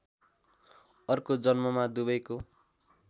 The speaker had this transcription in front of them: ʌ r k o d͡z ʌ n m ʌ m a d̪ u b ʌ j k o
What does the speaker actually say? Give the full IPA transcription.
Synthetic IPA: ʌ r k o d͡z ʌ n m ʌ m a d̪ u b ʌ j k o